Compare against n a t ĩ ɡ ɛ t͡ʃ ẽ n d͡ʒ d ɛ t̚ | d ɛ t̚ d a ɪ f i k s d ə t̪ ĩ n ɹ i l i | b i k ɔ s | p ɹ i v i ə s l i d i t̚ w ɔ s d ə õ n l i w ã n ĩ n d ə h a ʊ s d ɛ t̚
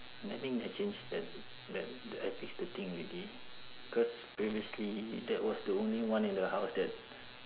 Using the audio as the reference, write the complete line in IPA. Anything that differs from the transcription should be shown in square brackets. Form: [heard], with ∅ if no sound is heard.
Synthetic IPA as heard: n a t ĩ [ŋ] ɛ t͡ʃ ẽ n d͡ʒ d ɛ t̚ | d ɛ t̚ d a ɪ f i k s d ə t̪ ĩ [ŋ] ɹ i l i | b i k ɔ s | p ɹ i v i ə s l i d [ɛ] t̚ w ɔ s d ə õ n l i w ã n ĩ n d ə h a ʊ s d ɛ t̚